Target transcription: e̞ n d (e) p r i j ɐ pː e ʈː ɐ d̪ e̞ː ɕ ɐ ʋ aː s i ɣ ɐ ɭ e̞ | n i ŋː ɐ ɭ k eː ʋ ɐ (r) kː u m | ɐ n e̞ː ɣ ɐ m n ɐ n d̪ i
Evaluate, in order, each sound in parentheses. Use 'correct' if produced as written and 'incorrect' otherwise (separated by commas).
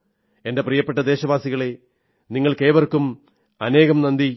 correct, correct